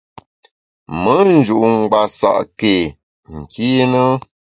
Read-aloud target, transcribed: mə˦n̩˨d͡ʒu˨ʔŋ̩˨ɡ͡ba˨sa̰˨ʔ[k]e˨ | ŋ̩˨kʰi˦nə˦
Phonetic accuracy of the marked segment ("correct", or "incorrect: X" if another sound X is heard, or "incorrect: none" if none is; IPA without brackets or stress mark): correct